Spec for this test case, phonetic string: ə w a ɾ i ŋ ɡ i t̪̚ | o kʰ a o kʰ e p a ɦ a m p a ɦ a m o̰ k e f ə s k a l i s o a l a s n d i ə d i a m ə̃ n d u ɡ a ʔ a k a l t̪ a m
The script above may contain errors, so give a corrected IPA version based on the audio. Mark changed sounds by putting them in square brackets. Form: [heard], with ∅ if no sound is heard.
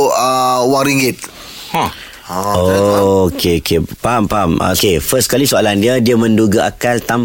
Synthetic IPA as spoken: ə w a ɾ i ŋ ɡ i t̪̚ | o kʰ [e] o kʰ e p a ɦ a m p a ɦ a m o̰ k e f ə s k a l i s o a l a [∅] n d i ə d i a m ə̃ n d u ɡ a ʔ a k a l t̪ a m